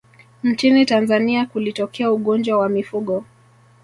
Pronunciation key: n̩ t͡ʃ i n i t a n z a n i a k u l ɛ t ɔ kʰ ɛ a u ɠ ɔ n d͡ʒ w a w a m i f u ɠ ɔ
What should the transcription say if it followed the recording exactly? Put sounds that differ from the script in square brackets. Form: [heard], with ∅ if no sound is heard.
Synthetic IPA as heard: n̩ t͡ʃ i n i t a n z a n i a k u l [i] t ɔ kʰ ɛ a u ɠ ɔ n d͡ʒ w a w a m i f u ɠ ɔ

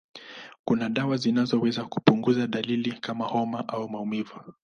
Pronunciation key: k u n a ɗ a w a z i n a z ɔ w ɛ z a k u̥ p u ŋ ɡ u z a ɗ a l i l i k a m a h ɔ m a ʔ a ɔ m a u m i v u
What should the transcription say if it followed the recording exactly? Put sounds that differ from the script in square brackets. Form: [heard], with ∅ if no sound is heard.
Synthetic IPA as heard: k u n a ɗ a w a z i n a z ɔ w ɛ z a k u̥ p u ŋ ɡ u z a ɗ a l i l i k a m a h ɔ m a ʔ a [u] m a u m i v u

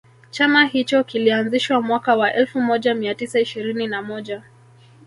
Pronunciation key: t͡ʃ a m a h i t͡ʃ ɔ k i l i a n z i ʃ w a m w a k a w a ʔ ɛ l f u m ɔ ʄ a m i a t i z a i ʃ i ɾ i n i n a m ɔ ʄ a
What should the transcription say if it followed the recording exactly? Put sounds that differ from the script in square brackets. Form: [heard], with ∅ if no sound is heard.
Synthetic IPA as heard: t͡ʃ a m a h i t͡ʃ ɔ k i l i a n z i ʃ w a m w a k a w a ʔ ɛ l f u m ɔ ʄ a m i a t i [s] a i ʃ i ɾ i n i n a m ɔ ʄ a

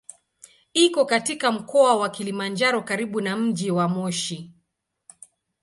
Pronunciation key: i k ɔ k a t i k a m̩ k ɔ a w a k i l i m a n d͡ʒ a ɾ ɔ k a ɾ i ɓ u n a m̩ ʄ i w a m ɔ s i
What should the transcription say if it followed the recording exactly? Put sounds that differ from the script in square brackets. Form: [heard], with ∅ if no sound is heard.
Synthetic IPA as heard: i k ɔ k a t i k a m̩ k ɔ a w a k i l i m a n d͡ʒ a ɾ ɔ k a ɾ i ɓ u n a m̩ ʄ i w a m ɔ [ʃ] i

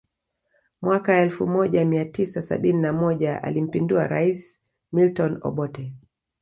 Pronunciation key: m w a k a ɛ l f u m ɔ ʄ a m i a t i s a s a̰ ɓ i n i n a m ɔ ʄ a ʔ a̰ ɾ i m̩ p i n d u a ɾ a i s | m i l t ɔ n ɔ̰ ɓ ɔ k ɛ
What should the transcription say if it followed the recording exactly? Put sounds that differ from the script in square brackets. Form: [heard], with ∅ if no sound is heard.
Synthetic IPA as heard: m w a k a ɛ l f u m ɔ ʄ a m i a t i s a s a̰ ɓ i n i n a m ɔ ʄ a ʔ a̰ [l] i m̩ p i n d u a ɾ a i s | m i l t ɔ n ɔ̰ ɓ ɔ [t] ɛ

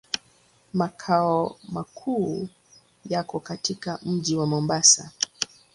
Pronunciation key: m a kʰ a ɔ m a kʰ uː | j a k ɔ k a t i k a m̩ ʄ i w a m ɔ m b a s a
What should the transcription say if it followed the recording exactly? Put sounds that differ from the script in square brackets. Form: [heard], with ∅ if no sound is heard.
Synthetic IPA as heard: m a kʰ a ɔ m a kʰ uː | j a k ɔ k a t i k a m̩ ʄ i w a m ɔ m b a s a

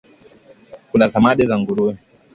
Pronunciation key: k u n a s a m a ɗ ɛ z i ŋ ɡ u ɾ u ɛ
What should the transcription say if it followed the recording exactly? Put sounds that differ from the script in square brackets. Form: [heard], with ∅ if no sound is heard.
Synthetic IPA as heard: k u n a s a m a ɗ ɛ z [a] ŋ ɡ u ɾ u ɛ

